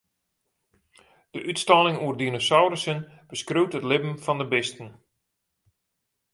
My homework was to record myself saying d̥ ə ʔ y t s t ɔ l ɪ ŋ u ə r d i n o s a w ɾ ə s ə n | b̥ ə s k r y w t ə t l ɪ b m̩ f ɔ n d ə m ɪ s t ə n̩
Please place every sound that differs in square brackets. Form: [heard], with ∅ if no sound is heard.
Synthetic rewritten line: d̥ ə ʔ y t s t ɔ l ɪ ŋ u ə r d i n o s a w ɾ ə s ə n | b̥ ə s k r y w t ə t l ɪ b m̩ f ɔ n d ə [b] ɪ s t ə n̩